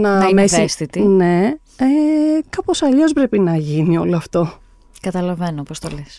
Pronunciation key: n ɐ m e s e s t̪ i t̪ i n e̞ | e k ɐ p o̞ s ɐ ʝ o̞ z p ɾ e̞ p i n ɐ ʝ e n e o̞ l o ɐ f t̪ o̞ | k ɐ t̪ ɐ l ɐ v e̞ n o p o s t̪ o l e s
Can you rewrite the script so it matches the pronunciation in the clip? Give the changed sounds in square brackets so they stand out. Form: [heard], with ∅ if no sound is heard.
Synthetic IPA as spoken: n ɐ m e s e s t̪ i t̪ i n e̞ | e k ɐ p o̞ s ɐ [ʎ] o̞ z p ɾ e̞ p i n ɐ ʝ [i] n [i] o̞ l o ɐ f t̪ o̞ | k ɐ t̪ ɐ l ɐ v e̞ n o p o s t̪ o l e s